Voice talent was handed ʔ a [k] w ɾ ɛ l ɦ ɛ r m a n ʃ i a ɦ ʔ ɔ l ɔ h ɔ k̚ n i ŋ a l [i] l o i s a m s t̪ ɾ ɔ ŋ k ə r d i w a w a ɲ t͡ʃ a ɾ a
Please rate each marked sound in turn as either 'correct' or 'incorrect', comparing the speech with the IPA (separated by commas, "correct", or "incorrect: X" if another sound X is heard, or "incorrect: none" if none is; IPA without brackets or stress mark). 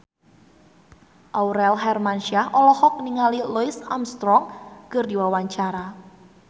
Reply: incorrect: none, correct